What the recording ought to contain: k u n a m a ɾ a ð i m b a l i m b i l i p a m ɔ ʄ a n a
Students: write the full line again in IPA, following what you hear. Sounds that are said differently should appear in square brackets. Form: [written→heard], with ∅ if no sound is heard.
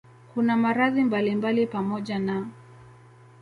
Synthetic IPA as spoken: k u n a m a ɾ a ð i m b a l i m b [i→a] l i p a m ɔ ʄ a n a

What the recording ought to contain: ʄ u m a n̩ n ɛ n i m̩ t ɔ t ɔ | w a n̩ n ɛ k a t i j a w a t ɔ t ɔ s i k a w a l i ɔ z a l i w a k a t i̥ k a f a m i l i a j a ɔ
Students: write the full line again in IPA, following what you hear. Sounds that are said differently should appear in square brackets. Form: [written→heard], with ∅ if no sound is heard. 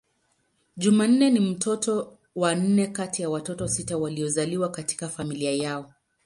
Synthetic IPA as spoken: ʄ u m a n̩ n ɛ n i m̩ t ɔ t ɔ | w a n̩ n ɛ k a t i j a w a t ɔ t ɔ s i [k→t] a w a l i ɔ z a l i w a k a t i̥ k a f a m i l i a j a ɔ

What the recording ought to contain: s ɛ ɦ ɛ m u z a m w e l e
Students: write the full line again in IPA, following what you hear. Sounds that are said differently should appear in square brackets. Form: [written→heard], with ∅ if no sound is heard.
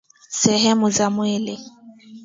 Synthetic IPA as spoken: s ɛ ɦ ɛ m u z a m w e l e

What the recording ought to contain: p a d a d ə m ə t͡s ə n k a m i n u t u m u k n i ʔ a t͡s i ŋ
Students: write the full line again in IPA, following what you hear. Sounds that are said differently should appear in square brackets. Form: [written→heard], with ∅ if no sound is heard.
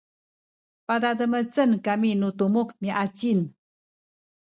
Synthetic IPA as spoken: p a d a d ə m ə t͡s ə n k a m i n u t u m u k [n→m] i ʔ a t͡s i [ŋ→n]

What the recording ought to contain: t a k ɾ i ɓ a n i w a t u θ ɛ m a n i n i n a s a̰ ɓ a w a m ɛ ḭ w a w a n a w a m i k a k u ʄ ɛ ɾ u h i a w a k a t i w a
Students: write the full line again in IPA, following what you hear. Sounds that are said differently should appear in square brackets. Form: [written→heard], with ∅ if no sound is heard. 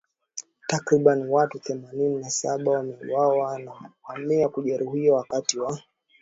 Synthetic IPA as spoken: t a k ɾ i ɓ a n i w a t u θ ɛ m a n i n i n a s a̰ ɓ a w a m ɛ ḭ w a w a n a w a m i [k→∅] a k u ʄ ɛ ɾ u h i a w a k a t i w a

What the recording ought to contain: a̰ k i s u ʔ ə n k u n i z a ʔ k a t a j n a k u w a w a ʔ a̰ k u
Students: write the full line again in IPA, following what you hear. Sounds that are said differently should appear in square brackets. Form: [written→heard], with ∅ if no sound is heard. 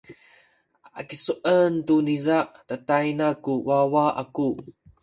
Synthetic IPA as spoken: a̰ k i s u ʔ ə n [k→t] u n i z a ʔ [k→t] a t a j n a k u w a w a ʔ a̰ k u

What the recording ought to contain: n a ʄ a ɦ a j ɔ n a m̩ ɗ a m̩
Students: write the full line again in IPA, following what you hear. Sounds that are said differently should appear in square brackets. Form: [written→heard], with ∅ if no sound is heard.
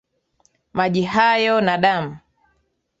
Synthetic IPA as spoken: [n→m] a ʄ [a→i] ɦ a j ɔ n a [m̩→∅] ɗ a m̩

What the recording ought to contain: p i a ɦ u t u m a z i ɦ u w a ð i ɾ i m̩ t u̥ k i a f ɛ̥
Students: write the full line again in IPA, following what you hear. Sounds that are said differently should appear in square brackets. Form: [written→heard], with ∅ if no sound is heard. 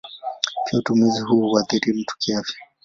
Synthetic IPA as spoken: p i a [ɦ→∅] u t u m [a→i] z i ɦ u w a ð i ɾ i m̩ t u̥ k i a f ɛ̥

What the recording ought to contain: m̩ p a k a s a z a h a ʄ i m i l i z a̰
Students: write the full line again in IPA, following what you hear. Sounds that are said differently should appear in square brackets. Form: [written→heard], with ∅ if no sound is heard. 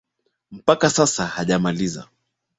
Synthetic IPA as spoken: m̩ p a k a s a [z→s] a h a ʄ [i→a] m [i→a] l i z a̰

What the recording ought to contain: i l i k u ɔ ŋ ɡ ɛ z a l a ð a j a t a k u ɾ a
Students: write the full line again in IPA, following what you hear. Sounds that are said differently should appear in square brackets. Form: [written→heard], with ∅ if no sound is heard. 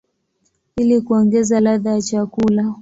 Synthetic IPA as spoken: i l i k u ɔ ŋ ɡ ɛ z a l a ð a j a [t→t͡ʃ] a k u [ɾ→l] a

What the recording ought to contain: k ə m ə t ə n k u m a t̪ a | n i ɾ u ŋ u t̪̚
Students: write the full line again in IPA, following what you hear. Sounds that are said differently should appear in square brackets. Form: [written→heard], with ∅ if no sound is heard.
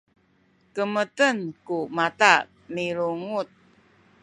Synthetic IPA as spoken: k ə m ə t ə n k u m a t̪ a | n i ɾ u ŋ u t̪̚

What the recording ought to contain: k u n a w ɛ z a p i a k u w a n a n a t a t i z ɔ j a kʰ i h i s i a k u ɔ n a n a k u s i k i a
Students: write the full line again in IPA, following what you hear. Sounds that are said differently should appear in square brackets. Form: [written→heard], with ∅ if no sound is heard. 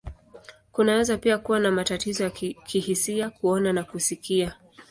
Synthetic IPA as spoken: k u n a w ɛ z a p i a k u w a n a [n→m] a t a t i z ɔ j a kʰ i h i s i a k u ɔ n a n a k u s i k i a

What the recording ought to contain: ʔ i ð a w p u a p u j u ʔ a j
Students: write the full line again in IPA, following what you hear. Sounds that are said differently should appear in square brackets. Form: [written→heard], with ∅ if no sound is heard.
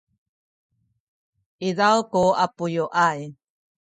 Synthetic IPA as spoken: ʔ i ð a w [p→k] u a p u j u ʔ a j

